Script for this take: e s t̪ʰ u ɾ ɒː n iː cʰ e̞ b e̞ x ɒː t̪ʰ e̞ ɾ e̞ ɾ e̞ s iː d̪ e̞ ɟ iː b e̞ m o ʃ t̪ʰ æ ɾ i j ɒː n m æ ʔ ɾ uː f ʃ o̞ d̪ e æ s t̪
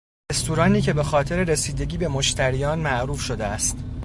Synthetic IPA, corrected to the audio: e s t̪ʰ u ɾ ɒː n iː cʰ e̞ b e̞ x ɒː t̪ʰ e̞ ɾ e̞ ɾ e̞ s iː d̪ e̞ ɟ iː b e̞ m o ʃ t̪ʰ æ ɾ i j ɒː n m æ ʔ ɾ uː f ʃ o̞ d̪ e æ s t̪